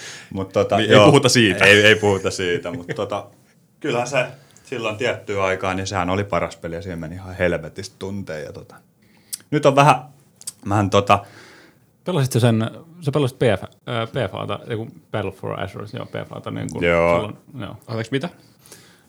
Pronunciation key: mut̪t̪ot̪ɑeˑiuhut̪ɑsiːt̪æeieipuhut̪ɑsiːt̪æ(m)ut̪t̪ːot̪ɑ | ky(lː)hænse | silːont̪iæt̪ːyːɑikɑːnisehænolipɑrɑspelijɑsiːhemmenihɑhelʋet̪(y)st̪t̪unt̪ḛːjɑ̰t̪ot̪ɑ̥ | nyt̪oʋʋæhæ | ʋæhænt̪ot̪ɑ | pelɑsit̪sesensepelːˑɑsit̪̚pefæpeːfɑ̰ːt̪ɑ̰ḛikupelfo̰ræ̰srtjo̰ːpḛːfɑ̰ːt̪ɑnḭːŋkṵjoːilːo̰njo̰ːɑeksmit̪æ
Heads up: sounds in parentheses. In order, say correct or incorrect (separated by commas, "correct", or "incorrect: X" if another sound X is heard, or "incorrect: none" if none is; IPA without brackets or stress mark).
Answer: correct, incorrect: l, incorrect: i